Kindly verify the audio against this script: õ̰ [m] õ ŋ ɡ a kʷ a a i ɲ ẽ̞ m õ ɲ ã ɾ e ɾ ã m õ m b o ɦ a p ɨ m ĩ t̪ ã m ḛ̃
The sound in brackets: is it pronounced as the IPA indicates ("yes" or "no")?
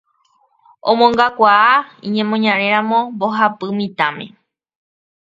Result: yes